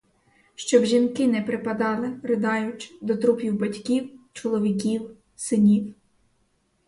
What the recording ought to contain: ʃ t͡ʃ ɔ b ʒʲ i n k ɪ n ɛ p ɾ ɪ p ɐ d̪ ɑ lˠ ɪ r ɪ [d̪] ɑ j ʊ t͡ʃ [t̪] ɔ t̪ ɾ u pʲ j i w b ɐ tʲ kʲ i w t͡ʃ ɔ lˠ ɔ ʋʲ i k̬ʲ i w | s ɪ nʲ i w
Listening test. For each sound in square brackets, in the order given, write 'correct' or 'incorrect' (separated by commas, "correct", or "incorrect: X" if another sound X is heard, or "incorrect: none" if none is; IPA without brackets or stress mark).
correct, incorrect: d̪